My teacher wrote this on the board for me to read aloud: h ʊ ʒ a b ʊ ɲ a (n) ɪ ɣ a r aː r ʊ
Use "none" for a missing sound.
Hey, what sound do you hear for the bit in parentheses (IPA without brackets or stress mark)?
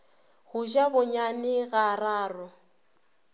n